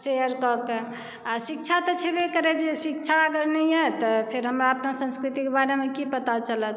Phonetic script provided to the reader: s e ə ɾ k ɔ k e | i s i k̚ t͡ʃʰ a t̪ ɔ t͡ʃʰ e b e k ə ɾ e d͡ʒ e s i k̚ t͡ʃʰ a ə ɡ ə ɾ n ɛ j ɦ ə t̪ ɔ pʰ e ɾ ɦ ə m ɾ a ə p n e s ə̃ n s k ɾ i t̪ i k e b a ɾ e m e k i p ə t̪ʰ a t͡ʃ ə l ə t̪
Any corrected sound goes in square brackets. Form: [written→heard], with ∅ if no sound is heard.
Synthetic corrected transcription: s e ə ɾ k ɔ k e | [i→a] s i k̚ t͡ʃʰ a t̪ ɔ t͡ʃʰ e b e k ə ɾ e d͡ʒ e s i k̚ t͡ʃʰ a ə ɡ ə ɾ n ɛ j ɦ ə t̪ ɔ pʰ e ɾ ɦ ə m ɾ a ə p n [e→a] s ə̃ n s k ɾ i t̪ i k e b a ɾ e m e k i p ə [t̪ʰ→t̪] a t͡ʃ ə l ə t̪